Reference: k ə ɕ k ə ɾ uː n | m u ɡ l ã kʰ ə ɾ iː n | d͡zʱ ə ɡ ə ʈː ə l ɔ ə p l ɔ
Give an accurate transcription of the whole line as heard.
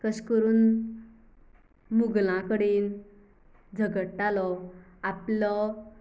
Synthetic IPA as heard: k ə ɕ k ə ɾ uː n | m u ɡ l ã k ə ɽ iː n | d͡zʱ ə ɡ ə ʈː a l ɔ a p l ɔ